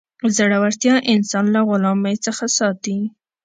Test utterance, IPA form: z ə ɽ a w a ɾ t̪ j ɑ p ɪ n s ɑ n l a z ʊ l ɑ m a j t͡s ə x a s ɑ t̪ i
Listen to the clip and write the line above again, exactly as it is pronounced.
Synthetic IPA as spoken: z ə ɽ a w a ɾ t̪ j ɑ ʔ ɪ n s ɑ n l a ɣ ʊ l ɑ m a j t͡s ə x a s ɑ t̪ i